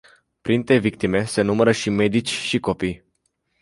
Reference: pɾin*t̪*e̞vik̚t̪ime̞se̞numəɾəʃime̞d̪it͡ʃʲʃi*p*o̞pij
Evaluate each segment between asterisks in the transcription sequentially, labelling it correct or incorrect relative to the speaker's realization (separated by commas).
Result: correct, incorrect